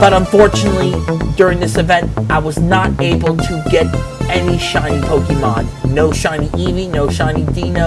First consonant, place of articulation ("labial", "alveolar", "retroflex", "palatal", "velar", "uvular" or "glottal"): labial